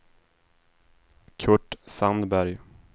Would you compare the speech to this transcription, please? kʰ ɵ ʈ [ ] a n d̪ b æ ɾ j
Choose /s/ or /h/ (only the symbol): s